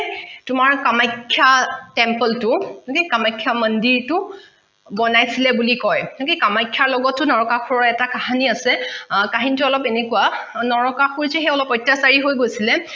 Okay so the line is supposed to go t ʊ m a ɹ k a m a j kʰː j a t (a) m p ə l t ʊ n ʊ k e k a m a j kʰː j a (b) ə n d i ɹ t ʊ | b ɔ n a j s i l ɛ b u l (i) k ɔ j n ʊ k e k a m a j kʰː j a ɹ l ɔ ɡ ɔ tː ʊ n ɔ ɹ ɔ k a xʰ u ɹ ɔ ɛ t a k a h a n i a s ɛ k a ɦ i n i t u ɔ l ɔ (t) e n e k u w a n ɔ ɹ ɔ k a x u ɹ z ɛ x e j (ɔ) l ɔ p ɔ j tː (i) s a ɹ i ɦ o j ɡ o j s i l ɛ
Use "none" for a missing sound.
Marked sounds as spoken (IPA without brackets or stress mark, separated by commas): ɛ, m, i, p, ɔ, a